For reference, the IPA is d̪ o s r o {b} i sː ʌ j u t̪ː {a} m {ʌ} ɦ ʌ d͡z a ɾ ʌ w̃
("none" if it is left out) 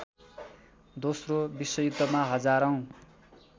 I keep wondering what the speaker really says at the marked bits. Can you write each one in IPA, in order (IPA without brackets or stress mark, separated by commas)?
b, ʌ, a